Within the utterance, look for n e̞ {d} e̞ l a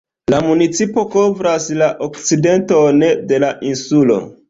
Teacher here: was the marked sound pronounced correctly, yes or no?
yes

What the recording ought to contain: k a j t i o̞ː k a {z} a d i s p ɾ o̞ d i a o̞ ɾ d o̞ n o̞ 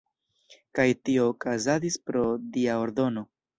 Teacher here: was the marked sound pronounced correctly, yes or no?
yes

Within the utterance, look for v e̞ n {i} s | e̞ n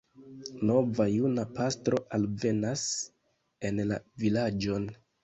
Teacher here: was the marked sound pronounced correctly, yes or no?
no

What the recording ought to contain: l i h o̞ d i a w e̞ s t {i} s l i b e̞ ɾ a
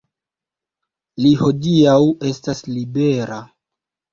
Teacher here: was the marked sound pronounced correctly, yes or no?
no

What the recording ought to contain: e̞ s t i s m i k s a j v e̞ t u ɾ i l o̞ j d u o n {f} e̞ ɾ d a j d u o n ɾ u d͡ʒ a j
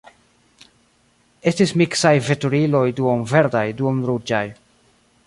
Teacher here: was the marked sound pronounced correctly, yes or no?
no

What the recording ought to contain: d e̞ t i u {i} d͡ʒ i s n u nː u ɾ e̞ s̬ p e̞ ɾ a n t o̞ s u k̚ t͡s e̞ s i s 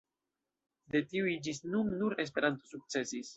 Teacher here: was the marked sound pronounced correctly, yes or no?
yes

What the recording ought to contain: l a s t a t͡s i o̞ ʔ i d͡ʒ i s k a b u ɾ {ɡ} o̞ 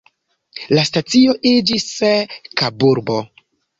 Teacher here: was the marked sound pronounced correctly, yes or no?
no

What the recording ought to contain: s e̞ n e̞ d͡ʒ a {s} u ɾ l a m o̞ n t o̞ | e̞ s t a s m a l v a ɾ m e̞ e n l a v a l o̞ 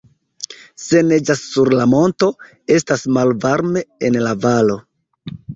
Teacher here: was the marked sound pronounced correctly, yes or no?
no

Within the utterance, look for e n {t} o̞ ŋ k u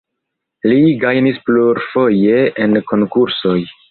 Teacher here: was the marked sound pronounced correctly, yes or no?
no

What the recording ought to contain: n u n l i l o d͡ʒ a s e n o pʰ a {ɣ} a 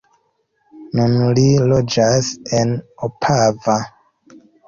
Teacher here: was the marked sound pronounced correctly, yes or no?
no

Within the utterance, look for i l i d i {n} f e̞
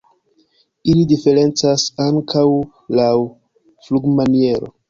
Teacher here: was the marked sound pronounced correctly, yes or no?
no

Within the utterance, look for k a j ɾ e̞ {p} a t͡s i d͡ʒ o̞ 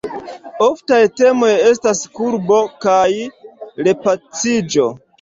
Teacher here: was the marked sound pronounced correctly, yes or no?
yes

